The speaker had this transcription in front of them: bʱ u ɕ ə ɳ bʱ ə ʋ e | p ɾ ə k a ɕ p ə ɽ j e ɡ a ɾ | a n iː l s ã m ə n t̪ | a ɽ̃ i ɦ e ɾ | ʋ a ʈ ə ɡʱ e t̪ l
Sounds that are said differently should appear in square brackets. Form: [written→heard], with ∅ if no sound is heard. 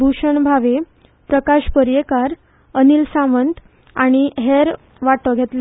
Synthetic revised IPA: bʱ u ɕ ə ɳ bʱ [ə→a] ʋ e | p ɾ ə k a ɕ p ə [ɽ→ɾ] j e [ɡ→k] a ɾ | [a→ə] n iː l s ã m ə n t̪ | a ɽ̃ i ɦ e ɾ | ʋ a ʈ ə ɡʱ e t̪ l